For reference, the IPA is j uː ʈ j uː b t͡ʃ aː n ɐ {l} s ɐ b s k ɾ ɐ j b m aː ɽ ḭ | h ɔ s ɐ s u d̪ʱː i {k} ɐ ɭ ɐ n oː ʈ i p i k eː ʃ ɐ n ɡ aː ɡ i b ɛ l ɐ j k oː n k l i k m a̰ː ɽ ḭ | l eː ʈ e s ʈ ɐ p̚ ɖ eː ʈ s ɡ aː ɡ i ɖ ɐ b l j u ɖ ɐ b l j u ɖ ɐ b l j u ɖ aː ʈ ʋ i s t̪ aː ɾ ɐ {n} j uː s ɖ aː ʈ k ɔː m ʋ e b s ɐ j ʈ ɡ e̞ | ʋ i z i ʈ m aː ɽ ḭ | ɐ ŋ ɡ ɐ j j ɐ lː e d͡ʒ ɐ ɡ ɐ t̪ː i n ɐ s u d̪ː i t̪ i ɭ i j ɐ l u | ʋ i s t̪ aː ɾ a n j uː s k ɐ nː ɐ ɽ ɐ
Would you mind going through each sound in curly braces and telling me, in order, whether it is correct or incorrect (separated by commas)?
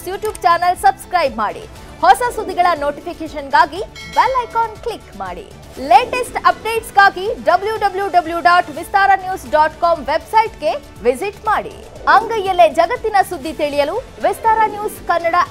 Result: correct, incorrect, correct